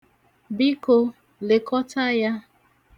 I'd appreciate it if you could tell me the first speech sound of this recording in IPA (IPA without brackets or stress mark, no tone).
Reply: b